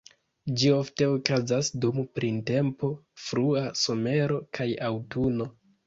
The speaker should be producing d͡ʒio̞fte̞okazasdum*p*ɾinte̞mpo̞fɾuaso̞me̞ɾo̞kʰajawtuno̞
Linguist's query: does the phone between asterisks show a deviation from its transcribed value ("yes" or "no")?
no